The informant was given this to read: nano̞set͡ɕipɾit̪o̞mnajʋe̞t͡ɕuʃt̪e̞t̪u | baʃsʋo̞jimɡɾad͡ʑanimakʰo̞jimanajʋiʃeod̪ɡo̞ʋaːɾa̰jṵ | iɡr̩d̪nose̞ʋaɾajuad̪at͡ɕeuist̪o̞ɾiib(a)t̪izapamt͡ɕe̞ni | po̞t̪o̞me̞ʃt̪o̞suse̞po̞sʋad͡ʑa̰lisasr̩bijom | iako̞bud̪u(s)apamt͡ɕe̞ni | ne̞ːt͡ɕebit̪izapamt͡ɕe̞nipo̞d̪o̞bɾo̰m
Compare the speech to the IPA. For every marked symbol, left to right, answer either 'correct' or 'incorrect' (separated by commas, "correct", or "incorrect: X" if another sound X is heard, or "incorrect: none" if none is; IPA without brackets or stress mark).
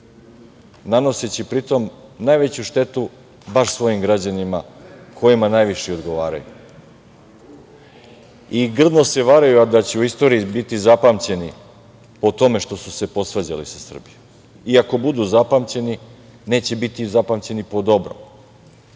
incorrect: i, incorrect: z